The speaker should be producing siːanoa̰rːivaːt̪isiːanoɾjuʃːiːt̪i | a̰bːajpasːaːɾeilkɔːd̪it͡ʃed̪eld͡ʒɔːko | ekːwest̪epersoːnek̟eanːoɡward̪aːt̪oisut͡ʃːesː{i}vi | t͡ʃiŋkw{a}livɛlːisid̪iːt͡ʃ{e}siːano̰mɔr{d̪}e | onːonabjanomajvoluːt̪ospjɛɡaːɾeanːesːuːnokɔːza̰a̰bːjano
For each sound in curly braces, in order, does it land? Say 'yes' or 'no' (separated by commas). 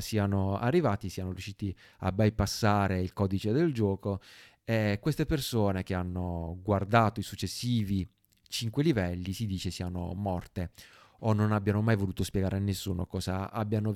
no, no, yes, no